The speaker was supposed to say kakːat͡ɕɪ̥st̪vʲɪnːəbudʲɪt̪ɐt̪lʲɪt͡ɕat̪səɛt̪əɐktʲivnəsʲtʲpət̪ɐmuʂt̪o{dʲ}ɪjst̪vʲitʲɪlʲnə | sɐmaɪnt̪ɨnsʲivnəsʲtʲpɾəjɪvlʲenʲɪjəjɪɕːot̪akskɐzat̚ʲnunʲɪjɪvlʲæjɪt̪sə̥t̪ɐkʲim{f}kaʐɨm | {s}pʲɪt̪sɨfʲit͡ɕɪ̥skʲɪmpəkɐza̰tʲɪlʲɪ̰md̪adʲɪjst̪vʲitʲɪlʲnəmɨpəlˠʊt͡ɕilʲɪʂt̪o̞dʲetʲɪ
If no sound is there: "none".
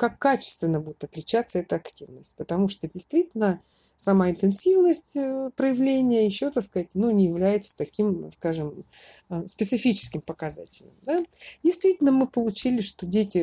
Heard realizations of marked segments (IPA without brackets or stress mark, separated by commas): dʲ, s, s